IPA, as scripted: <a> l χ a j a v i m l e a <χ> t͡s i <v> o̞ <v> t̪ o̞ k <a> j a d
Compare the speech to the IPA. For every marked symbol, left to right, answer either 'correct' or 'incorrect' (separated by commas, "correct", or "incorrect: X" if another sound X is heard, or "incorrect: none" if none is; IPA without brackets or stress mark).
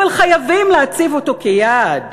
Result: correct, incorrect: none, correct, incorrect: none, incorrect: e